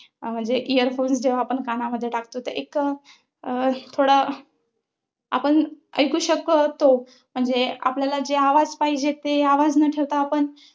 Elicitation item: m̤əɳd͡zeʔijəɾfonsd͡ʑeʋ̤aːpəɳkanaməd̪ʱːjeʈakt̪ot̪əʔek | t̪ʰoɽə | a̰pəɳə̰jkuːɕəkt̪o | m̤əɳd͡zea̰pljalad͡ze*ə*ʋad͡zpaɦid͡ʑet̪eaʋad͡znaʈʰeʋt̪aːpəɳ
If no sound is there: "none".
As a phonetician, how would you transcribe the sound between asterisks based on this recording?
a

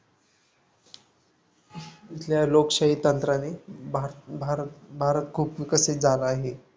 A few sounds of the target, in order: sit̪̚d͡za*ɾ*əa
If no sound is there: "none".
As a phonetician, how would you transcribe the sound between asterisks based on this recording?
l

